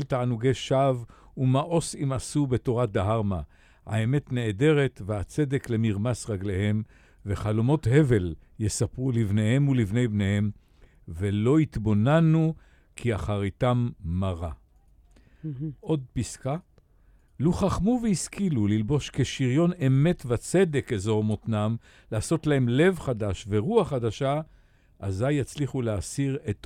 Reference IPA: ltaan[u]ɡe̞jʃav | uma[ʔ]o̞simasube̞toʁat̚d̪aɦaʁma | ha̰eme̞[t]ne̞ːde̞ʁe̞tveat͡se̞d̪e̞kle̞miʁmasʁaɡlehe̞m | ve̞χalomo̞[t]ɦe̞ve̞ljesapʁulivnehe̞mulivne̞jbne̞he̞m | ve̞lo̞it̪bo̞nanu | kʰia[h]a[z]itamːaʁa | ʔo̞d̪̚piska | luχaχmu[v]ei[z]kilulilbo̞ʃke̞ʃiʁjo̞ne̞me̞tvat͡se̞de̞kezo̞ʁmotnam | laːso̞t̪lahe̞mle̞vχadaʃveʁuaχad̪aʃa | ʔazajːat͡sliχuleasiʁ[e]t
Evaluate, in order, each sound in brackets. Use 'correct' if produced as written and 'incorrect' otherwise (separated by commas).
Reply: correct, correct, correct, correct, incorrect, incorrect, correct, incorrect, correct